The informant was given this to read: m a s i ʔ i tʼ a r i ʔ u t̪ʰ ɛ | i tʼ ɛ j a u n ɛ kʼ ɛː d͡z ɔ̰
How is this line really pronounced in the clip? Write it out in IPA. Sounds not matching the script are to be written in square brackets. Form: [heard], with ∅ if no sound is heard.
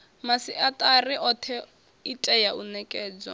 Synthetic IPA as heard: m a s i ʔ [a] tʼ a r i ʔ [ɔ] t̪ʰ ɛ | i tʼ ɛ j a u n ɛ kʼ ɛː d͡z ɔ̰